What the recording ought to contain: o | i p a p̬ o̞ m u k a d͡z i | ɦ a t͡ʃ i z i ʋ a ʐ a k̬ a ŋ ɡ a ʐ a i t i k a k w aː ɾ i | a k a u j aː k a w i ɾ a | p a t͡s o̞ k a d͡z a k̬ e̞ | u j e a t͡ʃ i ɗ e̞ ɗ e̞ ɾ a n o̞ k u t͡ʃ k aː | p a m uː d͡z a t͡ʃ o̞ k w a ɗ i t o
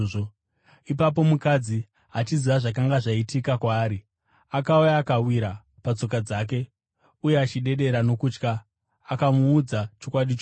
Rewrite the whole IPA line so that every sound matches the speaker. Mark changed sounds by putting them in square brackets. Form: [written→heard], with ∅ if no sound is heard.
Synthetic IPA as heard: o | i p a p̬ o̞ m u k a d͡z i | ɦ a t͡ʃ i z i ʋ a ʐ a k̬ a ŋ ɡ a ʐ a i t i k a k w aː ɾ i | a k a u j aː k a w i ɾ a | p a t͡s o̞ k a d͡z a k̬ e̞ | u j e a t͡ʃ i ɗ e̞ ɗ e̞ ɾ a n o̞ k u t͡ʃ k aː | [p→k] a m uː d͡z a t͡ʃ o̞ k w a ɗ i [t→t͡ʃ] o

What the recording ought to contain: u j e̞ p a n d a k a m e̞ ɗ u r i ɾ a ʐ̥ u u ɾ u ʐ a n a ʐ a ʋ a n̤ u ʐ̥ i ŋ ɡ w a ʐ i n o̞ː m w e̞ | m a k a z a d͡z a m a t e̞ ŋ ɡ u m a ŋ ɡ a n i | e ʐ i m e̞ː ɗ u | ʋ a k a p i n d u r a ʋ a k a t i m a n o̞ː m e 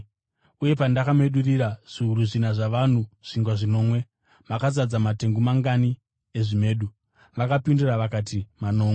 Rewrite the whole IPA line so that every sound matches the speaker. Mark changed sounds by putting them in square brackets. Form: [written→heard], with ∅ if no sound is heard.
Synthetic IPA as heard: u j e̞ p a n d a k a m e̞ ɗ u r i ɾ a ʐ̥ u u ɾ u ʐ [a→i] n a ʐ a ʋ a n̤ u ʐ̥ i ŋ ɡ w a ʐ i n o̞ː m w e̞ | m a k a z a d͡z a m a t e̞ ŋ ɡ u m a ŋ ɡ a n i | e ʐ i m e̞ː ɗ u | ʋ a k a p i n d u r a ʋ a k a t i m a n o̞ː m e

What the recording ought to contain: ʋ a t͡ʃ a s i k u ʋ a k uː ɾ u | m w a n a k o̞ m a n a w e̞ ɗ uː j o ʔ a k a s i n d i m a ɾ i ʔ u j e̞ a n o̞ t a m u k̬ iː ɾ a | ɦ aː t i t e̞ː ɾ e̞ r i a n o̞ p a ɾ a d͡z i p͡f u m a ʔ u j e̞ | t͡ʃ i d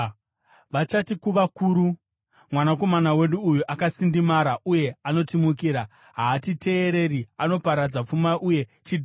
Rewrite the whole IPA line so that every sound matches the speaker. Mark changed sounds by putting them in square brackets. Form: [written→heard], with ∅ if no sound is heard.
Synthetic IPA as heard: ʋ a t͡ʃ a [s→t] i k u ʋ a k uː ɾ u | m w a n a k o̞ m a n a w e̞ ɗ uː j [o→u] ʔ a k a s i n d i m a ɾ [i→a] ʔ u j e̞ a n o̞ t [a→i] m u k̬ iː ɾ a | ɦ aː t i t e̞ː ɾ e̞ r i a n o̞ p a ɾ a d͡z [i→a] p͡f u m a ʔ u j e̞ | t͡ʃ i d

